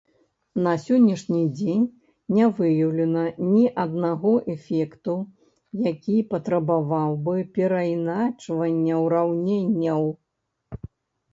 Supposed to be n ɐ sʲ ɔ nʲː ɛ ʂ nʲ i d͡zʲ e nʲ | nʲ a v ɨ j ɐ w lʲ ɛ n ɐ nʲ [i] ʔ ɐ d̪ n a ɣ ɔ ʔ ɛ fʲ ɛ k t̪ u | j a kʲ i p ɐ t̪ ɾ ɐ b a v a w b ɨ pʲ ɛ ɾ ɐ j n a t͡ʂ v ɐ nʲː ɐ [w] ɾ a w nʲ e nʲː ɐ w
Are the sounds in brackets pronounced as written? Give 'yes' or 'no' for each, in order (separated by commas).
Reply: yes, yes